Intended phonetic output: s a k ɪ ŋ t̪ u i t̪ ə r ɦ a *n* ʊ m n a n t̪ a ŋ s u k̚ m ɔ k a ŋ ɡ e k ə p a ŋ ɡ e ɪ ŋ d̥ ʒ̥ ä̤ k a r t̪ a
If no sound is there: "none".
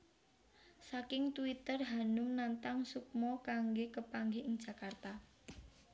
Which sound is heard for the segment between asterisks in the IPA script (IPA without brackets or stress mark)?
n